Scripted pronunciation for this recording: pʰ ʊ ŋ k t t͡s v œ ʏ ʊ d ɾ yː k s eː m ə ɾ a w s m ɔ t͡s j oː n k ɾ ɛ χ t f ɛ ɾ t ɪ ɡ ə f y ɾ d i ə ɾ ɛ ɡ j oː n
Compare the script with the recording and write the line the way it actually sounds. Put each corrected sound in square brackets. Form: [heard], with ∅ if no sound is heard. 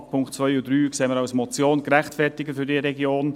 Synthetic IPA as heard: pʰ ʊ ŋ k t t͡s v œ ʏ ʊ d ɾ yː k s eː m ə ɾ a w s m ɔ t͡s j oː n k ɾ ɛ χ t f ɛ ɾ t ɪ ɡ ə f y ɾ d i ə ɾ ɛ ɡ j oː n